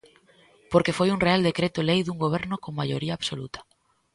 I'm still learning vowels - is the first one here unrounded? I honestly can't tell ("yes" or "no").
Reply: no